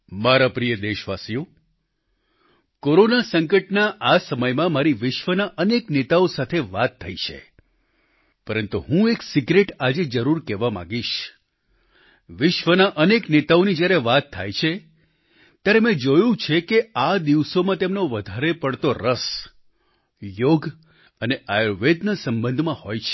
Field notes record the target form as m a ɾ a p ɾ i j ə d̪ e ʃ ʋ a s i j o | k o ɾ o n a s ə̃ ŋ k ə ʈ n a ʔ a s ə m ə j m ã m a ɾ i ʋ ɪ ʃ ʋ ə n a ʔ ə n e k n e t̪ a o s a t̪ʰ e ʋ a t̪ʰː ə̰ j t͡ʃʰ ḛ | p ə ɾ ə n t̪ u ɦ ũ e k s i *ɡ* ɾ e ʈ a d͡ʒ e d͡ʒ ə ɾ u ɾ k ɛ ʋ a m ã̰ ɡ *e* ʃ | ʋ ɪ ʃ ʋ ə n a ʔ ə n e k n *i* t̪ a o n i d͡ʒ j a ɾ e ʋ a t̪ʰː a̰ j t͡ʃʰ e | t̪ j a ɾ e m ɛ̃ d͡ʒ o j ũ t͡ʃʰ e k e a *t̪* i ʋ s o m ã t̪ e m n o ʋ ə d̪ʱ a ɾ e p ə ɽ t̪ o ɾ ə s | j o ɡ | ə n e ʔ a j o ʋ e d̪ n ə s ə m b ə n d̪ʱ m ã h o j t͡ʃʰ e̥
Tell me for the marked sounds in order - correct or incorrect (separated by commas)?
correct, incorrect, incorrect, incorrect